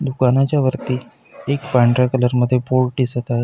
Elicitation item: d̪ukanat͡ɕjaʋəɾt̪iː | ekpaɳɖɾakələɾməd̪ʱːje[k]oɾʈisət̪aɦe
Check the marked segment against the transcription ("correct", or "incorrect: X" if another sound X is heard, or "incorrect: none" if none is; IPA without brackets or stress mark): incorrect: p